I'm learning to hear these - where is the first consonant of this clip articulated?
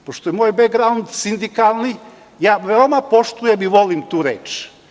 lips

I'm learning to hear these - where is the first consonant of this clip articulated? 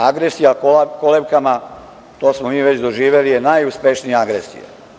velum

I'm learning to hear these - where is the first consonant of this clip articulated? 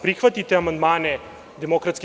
lips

